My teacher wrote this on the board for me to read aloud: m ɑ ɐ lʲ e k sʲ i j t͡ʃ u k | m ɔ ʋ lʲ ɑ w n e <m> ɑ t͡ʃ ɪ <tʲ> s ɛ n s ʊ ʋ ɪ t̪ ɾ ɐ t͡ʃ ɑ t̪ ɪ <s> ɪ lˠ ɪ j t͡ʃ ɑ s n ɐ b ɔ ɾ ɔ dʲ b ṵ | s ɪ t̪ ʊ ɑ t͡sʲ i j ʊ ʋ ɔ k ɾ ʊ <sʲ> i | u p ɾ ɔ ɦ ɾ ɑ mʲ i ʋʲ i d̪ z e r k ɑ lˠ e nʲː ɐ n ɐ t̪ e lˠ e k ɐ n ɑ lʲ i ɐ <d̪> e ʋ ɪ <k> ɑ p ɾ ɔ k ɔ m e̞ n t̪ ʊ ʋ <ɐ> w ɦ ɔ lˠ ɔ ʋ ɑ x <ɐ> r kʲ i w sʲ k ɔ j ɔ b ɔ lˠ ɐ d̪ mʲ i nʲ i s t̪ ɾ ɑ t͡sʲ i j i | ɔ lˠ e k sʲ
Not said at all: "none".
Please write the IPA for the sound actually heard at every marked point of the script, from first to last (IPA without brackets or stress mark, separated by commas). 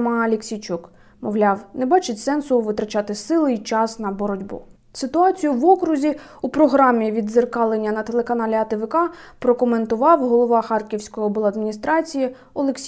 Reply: b, tʲ, s, zʲ, t̪, k, ɑ, ɑ